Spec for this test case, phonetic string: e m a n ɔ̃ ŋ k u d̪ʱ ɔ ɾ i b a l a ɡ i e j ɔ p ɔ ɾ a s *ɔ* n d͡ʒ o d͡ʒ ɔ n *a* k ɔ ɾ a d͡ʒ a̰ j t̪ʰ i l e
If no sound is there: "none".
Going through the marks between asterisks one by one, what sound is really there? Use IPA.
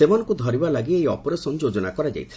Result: ɔ, a

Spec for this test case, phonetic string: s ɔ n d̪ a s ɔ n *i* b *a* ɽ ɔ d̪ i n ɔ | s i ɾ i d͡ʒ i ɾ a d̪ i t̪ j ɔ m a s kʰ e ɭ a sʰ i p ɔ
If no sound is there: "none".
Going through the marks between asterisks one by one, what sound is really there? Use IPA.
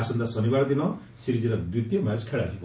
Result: i, a

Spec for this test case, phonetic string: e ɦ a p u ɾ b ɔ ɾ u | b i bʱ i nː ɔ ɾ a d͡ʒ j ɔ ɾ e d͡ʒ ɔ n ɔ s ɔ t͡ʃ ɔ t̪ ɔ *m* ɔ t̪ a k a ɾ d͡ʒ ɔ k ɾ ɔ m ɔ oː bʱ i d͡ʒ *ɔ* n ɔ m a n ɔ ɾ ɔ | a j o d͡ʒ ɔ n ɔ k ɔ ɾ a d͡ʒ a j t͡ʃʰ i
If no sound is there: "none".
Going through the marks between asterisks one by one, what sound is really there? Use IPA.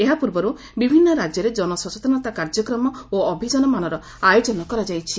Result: n, ɔ

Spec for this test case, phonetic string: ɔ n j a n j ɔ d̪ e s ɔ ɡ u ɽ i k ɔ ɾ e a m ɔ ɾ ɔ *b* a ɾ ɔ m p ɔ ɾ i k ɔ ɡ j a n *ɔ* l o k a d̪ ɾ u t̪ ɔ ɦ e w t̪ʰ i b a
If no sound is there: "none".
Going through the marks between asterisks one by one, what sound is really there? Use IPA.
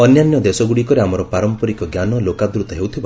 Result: p, ɔ

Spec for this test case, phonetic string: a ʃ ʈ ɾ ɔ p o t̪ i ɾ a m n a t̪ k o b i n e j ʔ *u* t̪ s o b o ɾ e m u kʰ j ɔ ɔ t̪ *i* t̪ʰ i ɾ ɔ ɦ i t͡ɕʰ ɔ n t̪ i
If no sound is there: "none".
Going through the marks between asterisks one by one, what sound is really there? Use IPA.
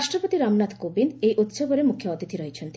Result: u, i

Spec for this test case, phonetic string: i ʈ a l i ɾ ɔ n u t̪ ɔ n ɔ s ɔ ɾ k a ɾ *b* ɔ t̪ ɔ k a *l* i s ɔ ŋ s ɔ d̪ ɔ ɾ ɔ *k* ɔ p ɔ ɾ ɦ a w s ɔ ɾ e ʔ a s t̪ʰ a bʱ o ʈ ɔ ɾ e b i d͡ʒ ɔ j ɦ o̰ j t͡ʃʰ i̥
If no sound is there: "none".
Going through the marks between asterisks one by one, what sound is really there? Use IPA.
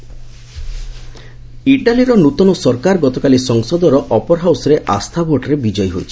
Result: ɡ, l, ʔ

